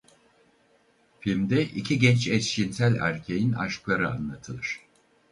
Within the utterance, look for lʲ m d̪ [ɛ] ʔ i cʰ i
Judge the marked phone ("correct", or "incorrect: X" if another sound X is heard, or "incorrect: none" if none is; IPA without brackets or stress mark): correct